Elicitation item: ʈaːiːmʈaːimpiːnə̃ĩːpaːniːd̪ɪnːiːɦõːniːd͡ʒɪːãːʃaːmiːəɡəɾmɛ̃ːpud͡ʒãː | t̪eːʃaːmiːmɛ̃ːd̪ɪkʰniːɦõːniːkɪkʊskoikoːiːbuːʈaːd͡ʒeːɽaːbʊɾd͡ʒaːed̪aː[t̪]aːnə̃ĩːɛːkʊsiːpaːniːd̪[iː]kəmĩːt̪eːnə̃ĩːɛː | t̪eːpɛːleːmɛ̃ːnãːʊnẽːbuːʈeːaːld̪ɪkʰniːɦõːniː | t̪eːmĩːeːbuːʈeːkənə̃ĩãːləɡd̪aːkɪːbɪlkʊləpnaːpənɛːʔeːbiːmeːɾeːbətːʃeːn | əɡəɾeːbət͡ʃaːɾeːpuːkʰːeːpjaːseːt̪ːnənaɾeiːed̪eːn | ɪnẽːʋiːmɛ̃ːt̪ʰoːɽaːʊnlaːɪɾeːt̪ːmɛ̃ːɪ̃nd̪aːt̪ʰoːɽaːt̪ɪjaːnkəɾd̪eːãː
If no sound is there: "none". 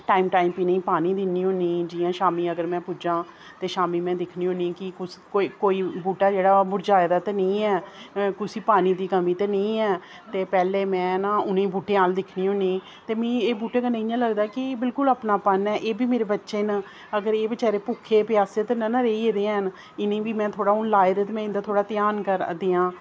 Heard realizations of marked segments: t̪, iː

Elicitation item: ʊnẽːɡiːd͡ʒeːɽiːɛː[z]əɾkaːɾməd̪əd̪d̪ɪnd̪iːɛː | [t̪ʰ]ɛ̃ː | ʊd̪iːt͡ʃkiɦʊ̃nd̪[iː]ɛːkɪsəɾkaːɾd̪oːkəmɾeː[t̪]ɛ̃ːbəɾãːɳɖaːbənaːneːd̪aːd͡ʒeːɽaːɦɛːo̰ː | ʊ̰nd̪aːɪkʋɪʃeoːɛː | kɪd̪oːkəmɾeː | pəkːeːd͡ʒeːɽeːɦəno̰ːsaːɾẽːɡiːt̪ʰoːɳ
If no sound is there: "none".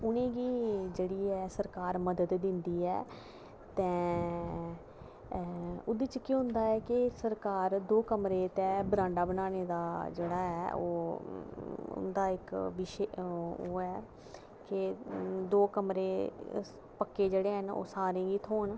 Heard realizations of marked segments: s, t̪, aː, t̪

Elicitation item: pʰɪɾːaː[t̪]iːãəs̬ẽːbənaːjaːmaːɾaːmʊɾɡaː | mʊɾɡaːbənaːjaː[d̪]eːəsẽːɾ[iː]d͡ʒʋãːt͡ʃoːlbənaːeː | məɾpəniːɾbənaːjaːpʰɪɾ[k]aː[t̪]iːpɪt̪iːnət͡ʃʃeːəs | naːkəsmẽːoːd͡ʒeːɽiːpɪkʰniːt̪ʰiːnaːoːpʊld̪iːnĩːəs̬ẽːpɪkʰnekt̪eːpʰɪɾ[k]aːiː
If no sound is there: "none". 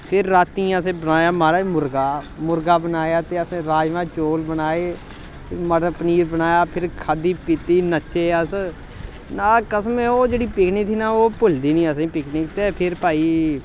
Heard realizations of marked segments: t̪, t̪, aː, kʰ, d̪, p

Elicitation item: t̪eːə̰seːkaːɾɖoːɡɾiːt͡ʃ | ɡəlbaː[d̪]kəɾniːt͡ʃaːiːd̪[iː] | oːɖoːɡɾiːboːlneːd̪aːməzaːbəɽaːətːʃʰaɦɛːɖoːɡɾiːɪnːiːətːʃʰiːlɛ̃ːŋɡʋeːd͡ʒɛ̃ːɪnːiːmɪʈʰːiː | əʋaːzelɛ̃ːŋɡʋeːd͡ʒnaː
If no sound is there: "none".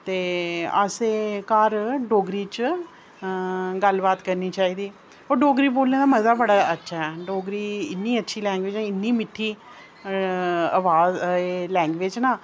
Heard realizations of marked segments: t̪, iː

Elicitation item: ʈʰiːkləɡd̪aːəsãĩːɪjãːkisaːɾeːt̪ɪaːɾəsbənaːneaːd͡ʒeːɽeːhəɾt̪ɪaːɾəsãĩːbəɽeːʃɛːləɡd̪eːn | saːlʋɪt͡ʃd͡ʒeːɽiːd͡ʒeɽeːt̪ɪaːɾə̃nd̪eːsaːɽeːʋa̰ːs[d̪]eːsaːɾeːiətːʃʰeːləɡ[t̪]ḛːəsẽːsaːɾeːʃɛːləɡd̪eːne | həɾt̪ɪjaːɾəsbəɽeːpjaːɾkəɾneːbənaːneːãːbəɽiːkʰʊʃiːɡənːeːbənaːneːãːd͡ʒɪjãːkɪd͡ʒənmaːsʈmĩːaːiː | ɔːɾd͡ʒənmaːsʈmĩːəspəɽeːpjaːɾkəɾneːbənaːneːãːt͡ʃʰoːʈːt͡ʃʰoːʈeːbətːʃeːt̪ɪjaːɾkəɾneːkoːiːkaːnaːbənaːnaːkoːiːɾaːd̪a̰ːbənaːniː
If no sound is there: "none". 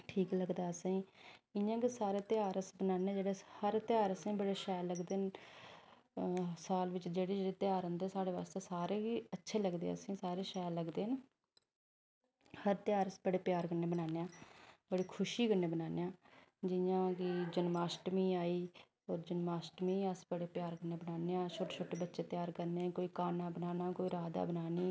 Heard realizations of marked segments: t̪, d̪

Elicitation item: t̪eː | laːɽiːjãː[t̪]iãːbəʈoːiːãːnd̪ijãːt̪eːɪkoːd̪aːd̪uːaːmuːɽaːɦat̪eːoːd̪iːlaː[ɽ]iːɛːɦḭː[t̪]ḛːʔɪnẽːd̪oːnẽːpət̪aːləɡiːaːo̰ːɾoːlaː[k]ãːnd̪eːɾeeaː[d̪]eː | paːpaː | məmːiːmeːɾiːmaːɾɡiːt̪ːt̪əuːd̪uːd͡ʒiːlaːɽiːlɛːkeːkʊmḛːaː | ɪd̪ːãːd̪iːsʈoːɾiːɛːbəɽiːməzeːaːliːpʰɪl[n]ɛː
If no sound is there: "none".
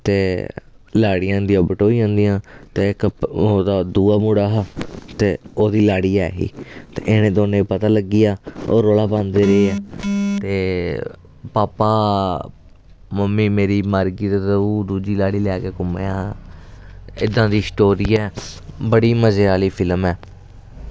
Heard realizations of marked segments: d̪, ɽ, t̪, p, t̪, m

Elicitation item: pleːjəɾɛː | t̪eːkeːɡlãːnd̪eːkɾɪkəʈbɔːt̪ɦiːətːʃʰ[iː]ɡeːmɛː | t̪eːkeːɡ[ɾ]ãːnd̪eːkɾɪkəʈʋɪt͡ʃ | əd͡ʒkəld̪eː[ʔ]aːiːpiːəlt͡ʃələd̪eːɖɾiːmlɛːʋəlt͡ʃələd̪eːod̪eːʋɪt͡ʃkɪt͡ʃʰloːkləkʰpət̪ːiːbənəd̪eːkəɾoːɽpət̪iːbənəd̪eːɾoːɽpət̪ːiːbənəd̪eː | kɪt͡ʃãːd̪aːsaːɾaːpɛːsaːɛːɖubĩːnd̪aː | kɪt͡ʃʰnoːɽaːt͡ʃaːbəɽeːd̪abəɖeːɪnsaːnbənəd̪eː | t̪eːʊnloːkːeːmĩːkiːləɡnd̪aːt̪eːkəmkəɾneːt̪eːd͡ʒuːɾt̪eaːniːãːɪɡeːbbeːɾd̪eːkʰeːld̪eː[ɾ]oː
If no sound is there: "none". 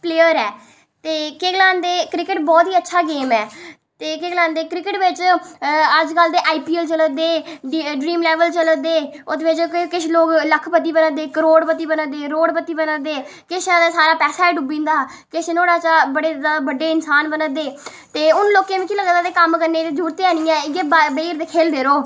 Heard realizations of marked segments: aː, l, ʔ, ɾ

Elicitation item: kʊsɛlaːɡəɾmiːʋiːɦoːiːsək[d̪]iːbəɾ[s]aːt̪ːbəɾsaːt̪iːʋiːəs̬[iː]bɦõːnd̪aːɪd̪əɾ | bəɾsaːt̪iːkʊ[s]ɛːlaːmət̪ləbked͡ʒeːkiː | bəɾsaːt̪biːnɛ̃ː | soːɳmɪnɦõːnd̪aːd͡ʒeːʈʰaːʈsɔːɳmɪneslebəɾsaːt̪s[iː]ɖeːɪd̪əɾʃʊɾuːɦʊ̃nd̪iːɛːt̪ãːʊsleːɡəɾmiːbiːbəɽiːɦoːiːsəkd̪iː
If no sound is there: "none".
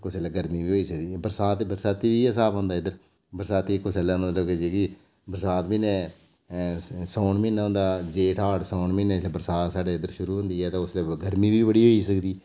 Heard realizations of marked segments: d̪, s, aː, s, aː

